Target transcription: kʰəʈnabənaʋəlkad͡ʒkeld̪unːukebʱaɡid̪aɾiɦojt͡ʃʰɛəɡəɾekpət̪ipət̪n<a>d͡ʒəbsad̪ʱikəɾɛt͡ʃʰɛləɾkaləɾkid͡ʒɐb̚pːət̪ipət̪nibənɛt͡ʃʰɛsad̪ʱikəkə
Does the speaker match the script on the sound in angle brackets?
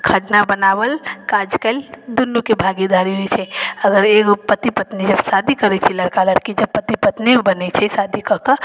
no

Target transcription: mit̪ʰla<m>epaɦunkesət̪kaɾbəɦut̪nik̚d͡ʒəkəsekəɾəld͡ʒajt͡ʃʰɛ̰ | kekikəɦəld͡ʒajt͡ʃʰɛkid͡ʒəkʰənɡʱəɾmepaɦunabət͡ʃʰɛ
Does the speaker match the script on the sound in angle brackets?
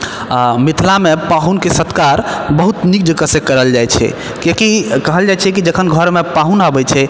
yes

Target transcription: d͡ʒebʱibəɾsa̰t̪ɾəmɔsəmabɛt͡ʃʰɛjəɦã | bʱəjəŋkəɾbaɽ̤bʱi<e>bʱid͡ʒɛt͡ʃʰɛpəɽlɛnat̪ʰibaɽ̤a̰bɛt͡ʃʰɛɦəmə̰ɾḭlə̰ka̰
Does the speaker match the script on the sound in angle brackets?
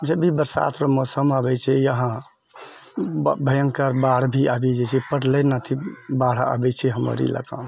no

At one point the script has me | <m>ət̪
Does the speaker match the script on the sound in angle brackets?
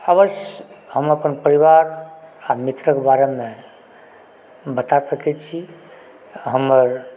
no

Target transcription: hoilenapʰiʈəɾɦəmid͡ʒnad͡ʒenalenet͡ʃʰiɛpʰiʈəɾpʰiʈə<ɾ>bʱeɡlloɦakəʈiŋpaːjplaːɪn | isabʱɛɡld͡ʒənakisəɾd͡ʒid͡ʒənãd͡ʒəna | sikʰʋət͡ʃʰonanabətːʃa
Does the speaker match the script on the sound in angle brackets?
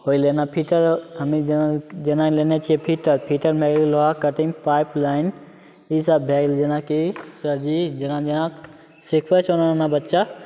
yes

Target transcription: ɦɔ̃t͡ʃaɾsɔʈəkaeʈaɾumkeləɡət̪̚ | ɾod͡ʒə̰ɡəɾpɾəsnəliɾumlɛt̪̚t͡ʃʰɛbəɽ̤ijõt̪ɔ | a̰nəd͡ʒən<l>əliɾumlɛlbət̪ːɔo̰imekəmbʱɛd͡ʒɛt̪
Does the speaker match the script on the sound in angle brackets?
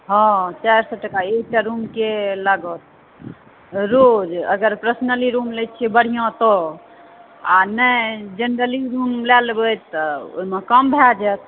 no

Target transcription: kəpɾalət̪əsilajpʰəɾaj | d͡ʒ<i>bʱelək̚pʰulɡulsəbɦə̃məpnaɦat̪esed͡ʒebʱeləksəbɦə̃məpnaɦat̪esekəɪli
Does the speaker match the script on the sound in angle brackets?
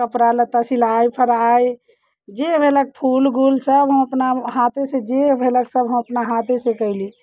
no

